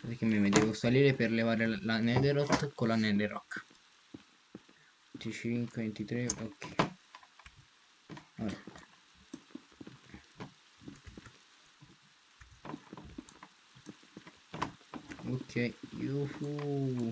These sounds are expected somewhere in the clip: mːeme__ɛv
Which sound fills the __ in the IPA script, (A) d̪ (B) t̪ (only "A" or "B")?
A